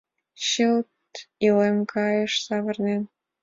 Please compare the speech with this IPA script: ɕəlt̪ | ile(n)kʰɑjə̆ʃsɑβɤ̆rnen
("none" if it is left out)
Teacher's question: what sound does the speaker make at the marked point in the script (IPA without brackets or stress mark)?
m